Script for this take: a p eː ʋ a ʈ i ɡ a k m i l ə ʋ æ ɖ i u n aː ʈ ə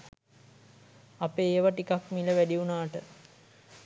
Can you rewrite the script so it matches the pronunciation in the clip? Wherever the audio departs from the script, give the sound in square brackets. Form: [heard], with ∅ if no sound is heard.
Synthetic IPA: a p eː ʋ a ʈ i [k] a k m i l ə ʋ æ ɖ i u n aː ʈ ə